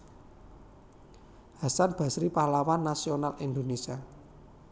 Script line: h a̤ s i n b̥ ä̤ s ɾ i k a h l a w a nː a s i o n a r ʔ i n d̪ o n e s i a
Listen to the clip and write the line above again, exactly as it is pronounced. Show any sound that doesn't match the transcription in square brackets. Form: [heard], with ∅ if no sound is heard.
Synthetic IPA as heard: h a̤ s [a] n b̥ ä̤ s ɾ i [p] a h l a w a nː a s i o n a [l] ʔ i n d̪ o n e s i a